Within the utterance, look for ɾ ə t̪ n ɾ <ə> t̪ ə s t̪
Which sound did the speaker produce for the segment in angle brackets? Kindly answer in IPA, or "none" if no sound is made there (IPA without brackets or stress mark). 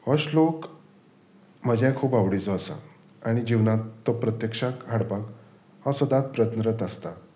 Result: ə